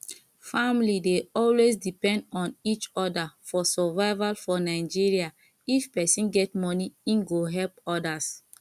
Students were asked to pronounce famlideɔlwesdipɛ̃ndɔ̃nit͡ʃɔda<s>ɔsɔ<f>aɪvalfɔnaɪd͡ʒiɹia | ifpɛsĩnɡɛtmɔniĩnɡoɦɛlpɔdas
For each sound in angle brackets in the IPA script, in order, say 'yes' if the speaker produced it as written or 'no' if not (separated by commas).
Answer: no, no